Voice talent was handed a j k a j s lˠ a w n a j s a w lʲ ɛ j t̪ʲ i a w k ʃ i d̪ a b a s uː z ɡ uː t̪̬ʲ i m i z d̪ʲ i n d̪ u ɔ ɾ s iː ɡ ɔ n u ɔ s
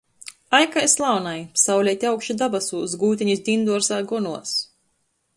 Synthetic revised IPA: a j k a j s lˠ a w n a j s a w lʲ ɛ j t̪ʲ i a w k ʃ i d̪ a b a s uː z ɡ uː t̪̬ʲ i ɲ i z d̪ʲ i n d̪ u ɔ ɾ s aː ɡ ɔ n u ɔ s